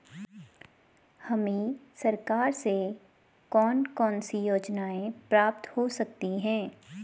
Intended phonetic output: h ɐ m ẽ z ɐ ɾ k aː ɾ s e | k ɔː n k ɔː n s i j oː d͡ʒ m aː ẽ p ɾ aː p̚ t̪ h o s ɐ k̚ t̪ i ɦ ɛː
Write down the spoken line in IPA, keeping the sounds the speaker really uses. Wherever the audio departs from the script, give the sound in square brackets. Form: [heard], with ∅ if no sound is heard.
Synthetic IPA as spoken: h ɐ m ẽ [s] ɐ ɾ k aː ɾ s e | k ɔː n k ɔː n s i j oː d͡ʒ [n] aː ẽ p ɾ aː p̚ t̪ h o s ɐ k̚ t̪ i ɦ [ɛ̃ː]